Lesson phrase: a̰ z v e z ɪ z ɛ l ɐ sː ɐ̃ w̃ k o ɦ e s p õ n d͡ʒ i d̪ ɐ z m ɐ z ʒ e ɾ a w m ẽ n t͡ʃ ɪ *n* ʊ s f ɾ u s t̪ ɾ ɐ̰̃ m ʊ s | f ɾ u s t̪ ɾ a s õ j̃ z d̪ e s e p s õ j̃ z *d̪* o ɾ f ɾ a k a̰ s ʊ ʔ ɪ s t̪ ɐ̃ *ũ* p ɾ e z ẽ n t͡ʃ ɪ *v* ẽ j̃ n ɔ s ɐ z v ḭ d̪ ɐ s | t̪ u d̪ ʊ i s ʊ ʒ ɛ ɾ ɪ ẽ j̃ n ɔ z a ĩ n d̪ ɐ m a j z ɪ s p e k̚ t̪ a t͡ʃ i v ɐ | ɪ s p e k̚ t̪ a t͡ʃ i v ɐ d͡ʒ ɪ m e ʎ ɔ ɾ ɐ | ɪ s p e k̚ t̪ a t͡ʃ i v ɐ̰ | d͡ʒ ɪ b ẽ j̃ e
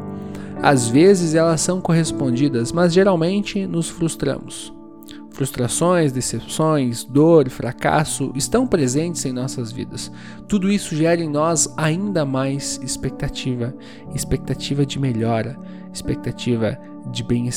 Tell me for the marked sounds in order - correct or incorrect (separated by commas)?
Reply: correct, correct, incorrect, incorrect